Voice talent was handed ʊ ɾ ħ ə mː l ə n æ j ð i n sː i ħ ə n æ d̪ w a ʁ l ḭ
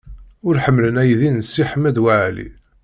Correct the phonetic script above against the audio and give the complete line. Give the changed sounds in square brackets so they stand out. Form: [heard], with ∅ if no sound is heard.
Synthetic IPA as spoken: ʊ ɾ ħ ə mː l ə n æ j ð i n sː i ħ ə [m] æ d̪ w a [ʕ] l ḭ